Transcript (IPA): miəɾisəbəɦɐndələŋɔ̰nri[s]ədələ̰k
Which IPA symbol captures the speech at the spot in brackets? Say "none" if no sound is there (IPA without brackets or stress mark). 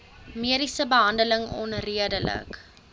none